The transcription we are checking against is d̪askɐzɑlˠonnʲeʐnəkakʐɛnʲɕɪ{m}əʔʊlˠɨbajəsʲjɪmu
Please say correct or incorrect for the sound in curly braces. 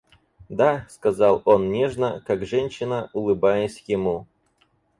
incorrect: n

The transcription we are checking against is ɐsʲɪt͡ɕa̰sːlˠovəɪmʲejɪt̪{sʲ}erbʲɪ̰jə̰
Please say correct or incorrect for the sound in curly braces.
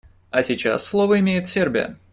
correct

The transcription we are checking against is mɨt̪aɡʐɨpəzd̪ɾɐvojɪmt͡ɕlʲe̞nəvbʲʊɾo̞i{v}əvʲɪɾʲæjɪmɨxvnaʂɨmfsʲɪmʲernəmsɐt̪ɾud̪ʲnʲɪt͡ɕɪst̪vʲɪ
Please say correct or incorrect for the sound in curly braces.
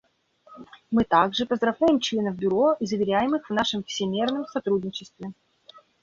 incorrect: z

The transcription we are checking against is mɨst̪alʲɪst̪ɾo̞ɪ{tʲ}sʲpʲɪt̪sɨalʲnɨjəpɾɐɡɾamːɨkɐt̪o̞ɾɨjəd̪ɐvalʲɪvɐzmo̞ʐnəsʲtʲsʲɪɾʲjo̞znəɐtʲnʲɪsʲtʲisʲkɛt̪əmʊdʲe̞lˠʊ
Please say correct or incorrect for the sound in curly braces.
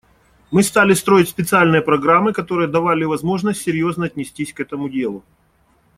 correct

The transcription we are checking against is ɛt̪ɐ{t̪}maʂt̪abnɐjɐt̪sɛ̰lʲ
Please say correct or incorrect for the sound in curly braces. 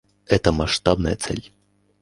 incorrect: none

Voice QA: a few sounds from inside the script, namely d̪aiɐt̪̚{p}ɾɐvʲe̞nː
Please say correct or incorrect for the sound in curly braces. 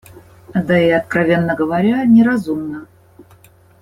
incorrect: k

